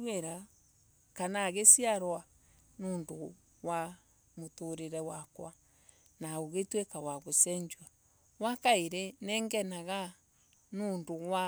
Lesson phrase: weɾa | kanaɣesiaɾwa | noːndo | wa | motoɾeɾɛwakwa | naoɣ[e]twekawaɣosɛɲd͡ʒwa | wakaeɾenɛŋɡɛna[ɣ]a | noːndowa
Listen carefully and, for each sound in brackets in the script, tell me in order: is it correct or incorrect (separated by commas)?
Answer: correct, correct